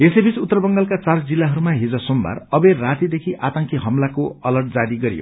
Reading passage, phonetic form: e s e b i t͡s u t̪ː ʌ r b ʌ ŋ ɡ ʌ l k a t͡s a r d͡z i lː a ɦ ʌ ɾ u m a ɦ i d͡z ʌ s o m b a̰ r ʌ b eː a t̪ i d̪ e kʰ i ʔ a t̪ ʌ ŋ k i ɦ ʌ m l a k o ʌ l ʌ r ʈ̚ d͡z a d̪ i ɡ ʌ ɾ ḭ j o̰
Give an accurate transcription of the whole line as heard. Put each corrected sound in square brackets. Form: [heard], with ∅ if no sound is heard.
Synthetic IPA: e s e b i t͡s u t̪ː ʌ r b ʌ ŋ ɡ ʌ l k a t͡s a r d͡z i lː a ɦ ʌ ɾ u m a ɦ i d͡z ʌ s o m b a̰ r ʌ b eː a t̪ i d̪ e kʰ i ʔ a t̪ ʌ ŋ k i ɦ ʌ m l a k o ʌ l ʌ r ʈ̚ d͡z a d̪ i ɡ ʌ ɾ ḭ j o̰